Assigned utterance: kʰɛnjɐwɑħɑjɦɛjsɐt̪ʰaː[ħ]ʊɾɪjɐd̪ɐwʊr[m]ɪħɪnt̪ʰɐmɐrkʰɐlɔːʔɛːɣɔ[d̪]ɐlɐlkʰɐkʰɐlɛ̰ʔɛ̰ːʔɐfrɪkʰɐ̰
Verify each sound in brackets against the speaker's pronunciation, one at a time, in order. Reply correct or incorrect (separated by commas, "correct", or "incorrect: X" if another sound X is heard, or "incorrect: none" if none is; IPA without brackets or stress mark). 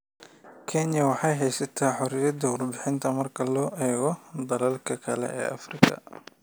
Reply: correct, incorrect: b, correct